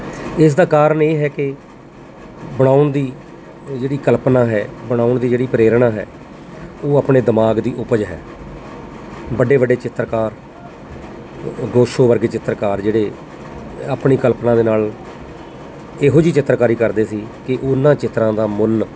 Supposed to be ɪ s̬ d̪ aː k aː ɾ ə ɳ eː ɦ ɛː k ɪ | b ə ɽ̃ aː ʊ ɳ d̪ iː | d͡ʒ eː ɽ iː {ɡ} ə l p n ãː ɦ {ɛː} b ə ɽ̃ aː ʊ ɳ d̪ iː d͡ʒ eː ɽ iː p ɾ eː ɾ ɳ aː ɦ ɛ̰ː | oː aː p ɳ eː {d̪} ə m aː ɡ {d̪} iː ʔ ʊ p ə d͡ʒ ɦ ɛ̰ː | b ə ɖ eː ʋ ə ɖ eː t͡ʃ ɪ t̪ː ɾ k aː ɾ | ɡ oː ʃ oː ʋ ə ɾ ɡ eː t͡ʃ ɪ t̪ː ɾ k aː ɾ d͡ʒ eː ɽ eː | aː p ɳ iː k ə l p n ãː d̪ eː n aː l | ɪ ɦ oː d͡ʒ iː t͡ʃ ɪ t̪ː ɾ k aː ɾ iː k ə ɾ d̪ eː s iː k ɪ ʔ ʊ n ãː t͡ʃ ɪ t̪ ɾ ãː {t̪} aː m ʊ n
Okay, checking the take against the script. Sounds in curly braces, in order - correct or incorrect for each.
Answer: incorrect: k, correct, correct, correct, incorrect: d̪

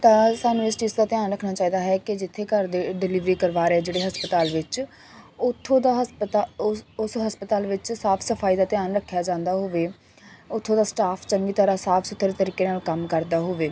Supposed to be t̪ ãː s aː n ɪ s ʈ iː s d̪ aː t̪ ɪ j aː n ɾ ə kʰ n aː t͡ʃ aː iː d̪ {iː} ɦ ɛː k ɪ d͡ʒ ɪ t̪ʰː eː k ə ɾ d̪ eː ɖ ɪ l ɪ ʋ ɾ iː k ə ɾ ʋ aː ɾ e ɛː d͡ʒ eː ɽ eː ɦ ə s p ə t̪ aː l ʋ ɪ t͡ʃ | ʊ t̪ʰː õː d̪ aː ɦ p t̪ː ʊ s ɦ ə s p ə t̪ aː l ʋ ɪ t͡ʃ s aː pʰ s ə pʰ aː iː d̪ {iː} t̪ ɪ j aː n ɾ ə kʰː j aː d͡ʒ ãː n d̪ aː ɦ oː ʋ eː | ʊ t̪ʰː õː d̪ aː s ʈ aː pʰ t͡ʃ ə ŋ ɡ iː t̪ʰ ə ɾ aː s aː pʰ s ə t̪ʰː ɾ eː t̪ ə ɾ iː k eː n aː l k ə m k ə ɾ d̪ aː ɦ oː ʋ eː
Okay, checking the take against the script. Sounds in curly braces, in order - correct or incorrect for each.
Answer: incorrect: aː, incorrect: aː

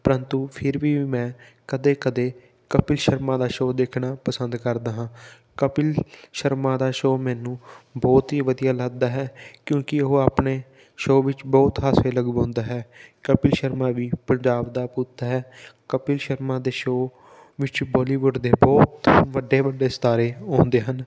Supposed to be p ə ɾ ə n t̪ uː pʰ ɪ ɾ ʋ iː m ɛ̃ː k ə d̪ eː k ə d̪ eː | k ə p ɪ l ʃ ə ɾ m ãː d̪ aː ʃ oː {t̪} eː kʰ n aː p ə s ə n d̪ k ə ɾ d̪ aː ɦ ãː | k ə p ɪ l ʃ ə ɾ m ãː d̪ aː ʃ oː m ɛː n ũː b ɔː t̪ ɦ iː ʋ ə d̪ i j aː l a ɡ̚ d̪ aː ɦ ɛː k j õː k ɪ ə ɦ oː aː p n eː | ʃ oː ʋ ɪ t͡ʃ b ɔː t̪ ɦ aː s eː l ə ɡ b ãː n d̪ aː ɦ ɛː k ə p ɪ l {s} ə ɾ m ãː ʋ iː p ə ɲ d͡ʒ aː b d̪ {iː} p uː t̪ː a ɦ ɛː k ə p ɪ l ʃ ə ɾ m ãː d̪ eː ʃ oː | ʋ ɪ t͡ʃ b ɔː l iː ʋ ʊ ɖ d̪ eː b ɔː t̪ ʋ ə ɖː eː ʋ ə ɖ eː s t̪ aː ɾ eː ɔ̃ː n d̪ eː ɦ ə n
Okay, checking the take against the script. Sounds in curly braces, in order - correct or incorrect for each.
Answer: incorrect: d̪, incorrect: ʃ, incorrect: aː

